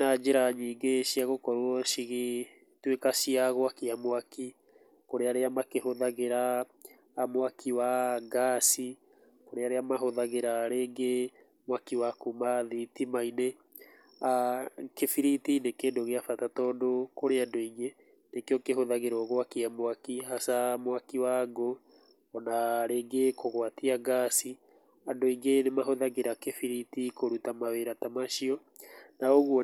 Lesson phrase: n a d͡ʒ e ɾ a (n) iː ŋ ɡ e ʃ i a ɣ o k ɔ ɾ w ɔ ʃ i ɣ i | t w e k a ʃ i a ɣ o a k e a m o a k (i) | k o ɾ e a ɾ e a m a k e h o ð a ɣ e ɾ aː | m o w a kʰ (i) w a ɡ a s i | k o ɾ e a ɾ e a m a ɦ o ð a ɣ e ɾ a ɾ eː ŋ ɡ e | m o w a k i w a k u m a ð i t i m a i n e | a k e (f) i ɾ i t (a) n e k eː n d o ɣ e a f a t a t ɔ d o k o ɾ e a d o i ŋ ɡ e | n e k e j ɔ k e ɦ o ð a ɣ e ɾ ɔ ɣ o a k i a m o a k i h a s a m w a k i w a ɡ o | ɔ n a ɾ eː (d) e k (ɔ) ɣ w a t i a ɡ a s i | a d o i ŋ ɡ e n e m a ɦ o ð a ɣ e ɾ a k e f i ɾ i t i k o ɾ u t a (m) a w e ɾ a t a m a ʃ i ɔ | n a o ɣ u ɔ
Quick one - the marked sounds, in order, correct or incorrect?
incorrect: ɲ, correct, correct, correct, incorrect: i, incorrect: ɡ, incorrect: o, correct

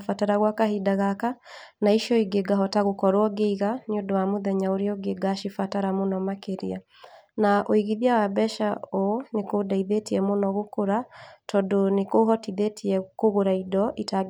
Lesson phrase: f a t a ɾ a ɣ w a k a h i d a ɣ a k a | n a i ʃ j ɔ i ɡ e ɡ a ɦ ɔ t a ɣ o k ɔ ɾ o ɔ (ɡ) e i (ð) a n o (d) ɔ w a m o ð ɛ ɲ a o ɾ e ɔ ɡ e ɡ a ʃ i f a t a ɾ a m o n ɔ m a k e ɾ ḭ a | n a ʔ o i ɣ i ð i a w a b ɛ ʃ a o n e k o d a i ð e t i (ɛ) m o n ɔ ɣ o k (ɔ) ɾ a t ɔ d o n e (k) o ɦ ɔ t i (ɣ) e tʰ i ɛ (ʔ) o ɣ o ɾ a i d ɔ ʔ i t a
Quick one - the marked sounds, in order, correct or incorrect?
correct, incorrect: ɣ, correct, correct, incorrect: o, correct, incorrect: ð, incorrect: k

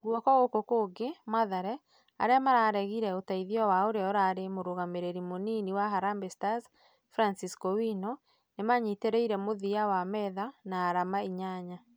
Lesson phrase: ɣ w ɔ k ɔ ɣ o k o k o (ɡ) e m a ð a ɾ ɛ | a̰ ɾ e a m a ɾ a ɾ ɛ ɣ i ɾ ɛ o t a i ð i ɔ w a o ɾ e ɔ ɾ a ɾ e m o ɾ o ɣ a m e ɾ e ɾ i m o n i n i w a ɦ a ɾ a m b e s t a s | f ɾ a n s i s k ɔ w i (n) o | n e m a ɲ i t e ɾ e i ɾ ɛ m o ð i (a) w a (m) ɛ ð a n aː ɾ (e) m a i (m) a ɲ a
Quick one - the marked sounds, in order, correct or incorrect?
correct, correct, correct, correct, incorrect: a, incorrect: ɲ

